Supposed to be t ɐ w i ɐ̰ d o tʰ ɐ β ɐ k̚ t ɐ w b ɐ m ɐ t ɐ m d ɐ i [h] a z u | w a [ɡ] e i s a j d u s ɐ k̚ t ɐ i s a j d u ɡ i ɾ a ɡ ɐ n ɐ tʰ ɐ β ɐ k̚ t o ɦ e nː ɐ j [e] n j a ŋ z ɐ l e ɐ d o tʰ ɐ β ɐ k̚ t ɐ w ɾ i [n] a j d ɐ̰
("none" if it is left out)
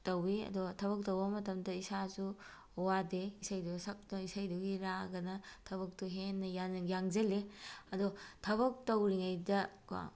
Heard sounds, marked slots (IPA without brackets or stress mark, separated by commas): s, d, a, ŋ